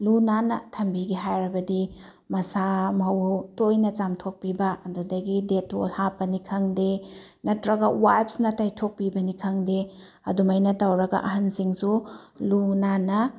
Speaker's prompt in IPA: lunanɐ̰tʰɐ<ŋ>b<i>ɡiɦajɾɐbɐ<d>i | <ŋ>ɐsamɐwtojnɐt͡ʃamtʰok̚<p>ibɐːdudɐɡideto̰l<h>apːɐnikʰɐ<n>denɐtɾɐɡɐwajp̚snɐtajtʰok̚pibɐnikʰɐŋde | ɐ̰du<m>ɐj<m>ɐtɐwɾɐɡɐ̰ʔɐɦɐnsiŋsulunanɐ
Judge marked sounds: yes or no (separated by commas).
no, yes, yes, no, yes, yes, no, yes, no